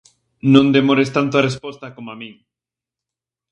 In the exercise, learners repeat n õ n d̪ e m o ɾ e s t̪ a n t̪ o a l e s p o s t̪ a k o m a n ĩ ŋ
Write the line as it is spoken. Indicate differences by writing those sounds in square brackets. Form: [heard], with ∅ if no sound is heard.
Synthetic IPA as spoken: n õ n d̪ e m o ɾ e s t̪ a n t̪ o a [r] e s p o s t̪ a k o m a [m] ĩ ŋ